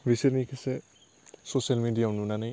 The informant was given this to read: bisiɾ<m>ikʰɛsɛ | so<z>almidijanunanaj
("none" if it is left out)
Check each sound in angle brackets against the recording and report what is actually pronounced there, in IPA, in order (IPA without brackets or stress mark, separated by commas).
n, s